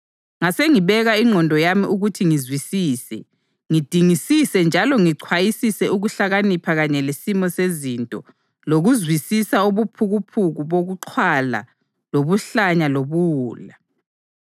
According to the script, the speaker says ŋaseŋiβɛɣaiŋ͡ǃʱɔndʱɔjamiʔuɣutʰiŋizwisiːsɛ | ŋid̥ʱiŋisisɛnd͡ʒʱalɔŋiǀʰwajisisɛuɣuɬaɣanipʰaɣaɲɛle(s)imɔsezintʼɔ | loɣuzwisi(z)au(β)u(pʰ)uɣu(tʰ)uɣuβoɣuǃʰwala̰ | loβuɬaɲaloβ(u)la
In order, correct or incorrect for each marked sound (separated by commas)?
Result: correct, incorrect, correct, correct, incorrect, incorrect